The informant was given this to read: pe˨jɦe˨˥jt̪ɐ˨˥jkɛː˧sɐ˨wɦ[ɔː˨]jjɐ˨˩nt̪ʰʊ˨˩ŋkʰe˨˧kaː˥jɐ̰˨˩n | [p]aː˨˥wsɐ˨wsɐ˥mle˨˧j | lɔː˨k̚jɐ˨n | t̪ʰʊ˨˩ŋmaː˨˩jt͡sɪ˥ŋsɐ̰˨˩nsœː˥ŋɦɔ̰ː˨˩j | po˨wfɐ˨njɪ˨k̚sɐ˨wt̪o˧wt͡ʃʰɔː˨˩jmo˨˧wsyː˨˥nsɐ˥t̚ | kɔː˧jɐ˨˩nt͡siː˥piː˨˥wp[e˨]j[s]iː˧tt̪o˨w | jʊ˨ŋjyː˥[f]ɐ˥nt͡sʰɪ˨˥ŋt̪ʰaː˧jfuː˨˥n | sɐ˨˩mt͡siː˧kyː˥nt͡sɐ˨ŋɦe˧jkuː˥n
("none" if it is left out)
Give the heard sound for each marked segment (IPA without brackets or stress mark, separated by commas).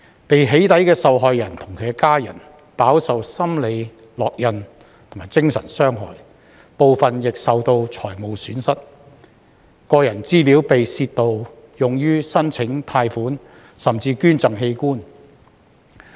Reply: ɔː˨, p, e˨, s, s